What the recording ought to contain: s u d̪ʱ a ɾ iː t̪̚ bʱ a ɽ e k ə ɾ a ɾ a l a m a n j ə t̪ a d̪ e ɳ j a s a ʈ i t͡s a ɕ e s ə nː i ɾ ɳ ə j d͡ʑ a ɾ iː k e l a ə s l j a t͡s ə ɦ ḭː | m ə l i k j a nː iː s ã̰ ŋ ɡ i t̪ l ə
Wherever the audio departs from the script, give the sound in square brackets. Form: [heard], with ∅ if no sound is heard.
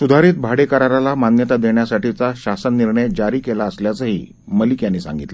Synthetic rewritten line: s u d̪ʱ a ɾ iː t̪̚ bʱ a ɽ e k ə ɾ a ɾ a l a m a n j ə t̪ a d̪ e ɳ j a s a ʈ i t͡s a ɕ [a] s ə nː i ɾ ɳ ə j d͡ʑ a ɾ iː k e l a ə s l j a t͡s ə ɦ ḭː | m ə l i k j a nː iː s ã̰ ŋ ɡ i t̪ l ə